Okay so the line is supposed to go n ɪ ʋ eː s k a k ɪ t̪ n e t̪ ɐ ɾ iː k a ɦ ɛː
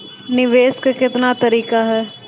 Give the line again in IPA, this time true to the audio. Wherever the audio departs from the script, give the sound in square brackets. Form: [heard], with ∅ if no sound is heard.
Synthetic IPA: n ɪ ʋ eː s k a k ɪ t̪ n [a] t̪ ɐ ɾ iː k a ɦ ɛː